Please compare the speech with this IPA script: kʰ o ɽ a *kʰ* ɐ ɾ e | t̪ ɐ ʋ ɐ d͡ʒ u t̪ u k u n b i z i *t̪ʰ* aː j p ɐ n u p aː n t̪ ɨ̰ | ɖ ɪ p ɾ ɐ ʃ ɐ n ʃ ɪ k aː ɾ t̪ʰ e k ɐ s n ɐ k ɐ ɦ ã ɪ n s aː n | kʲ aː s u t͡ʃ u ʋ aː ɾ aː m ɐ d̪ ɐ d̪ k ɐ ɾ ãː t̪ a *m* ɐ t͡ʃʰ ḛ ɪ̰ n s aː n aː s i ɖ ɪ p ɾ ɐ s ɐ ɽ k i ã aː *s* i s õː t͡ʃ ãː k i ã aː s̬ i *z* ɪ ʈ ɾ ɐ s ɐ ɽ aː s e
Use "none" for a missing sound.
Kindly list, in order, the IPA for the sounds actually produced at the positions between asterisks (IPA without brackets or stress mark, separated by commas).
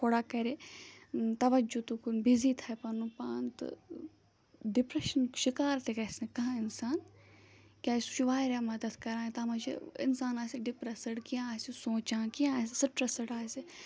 k, t̪ʰ, m, s, s